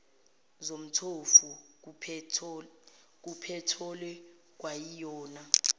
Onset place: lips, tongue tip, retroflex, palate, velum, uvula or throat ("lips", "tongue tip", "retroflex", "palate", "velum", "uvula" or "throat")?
tongue tip